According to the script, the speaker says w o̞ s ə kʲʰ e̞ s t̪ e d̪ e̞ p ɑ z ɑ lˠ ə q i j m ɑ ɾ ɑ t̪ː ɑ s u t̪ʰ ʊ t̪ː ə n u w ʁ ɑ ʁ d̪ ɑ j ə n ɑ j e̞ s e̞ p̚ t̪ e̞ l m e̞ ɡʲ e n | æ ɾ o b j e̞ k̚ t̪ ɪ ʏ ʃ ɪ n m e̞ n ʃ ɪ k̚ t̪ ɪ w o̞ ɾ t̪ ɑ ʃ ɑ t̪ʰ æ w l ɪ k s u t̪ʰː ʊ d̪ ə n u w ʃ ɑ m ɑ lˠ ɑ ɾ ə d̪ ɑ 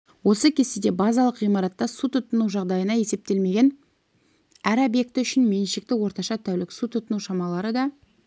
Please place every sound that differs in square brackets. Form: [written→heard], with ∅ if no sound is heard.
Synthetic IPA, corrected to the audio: w o̞ s ə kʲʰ e̞ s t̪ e d̪ e̞ [p→b] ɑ z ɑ lˠ ə q i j m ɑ ɾ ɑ t̪ː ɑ s u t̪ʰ ʊ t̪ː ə n u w [ʁ→ʒ] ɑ ʁ d̪ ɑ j ə n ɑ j e̞ s e̞ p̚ t̪ e̞ l m e̞ ɡʲ e n | æ ɾ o b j e̞ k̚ t̪ ɪ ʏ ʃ ɪ n m e̞ n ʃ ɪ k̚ t̪ ɪ w o̞ ɾ t̪ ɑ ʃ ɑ t̪ʰ æ w l ɪ k s u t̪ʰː ʊ [d̪→t̪] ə n u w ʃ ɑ m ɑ lˠ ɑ ɾ ə d̪ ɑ